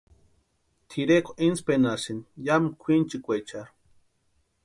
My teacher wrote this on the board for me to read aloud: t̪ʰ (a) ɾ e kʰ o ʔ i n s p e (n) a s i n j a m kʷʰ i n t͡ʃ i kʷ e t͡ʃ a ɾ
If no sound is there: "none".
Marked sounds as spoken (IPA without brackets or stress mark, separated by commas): i, n